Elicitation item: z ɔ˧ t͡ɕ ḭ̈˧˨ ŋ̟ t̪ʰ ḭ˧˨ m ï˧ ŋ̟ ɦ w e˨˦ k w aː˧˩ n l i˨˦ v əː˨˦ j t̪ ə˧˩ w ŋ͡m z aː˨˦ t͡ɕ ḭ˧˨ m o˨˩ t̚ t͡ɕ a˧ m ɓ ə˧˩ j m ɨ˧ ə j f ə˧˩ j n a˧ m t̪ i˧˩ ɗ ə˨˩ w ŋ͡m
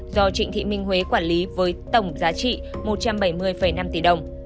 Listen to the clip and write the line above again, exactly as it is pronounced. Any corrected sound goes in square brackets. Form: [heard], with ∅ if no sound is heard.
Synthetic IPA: z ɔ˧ t͡ɕ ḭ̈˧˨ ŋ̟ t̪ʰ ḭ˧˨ m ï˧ ŋ̟ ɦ w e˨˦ k w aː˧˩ n l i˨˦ v əː˨˦ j t̪ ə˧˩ w ŋ͡m z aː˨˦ t͡ɕ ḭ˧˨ m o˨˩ t̚ t͡ɕ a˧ m ɓ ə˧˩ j m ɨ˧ ə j f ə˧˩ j n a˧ m t̪ i˧˩ ɗ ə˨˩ w ŋ͡m